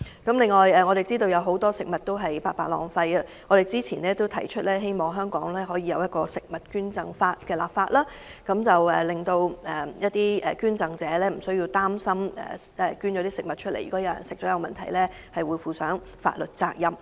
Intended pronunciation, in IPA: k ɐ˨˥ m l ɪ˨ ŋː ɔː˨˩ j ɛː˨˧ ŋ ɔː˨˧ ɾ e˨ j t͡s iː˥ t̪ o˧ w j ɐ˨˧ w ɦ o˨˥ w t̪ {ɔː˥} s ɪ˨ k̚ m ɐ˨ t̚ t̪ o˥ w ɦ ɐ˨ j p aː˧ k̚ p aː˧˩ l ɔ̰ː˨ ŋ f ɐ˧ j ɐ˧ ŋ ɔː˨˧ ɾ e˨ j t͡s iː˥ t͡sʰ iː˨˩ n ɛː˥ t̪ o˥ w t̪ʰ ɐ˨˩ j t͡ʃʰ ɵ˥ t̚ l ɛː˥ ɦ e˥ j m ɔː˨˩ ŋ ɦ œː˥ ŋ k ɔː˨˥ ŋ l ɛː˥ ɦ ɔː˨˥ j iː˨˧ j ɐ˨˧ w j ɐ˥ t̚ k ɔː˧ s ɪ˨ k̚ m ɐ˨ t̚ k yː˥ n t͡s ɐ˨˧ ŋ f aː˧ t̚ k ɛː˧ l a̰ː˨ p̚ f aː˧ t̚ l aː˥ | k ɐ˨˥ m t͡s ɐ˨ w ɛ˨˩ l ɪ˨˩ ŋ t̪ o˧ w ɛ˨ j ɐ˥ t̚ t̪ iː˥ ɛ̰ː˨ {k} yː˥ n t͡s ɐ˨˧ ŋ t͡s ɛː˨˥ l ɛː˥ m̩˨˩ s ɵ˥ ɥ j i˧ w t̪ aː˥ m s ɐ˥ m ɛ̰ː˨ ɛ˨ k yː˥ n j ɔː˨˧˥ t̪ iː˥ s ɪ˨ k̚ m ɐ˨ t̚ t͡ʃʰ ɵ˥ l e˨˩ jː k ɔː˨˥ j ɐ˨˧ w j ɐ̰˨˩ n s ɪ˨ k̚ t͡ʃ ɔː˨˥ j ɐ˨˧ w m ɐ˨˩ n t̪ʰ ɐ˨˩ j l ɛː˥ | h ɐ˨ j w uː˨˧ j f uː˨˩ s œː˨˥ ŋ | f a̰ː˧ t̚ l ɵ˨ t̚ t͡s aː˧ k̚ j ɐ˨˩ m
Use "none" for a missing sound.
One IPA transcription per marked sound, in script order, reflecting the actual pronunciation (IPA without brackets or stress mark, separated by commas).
ɔː˥, k